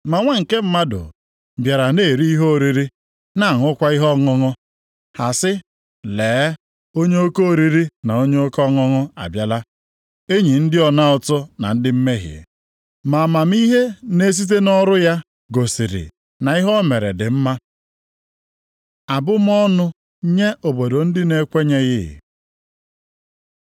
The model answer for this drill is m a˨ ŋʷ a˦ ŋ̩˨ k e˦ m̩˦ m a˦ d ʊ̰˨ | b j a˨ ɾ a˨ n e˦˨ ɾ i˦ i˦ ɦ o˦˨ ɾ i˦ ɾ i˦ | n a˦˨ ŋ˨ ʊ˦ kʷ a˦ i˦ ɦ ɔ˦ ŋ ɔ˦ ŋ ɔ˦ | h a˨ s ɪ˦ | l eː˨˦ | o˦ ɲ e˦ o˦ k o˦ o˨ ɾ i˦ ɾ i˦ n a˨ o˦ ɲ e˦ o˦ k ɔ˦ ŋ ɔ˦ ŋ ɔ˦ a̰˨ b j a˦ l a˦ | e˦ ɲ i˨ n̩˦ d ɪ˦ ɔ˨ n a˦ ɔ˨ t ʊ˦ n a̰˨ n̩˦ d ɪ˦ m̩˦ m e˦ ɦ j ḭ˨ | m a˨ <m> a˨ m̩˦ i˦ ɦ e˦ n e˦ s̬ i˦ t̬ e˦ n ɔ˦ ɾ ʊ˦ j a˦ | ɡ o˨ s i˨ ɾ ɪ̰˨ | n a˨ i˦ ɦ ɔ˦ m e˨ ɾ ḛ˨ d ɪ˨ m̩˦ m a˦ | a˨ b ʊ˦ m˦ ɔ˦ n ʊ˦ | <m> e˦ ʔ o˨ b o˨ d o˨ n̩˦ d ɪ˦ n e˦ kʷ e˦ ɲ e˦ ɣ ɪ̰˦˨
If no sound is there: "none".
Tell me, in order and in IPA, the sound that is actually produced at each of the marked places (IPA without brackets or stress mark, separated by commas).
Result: m, ɲ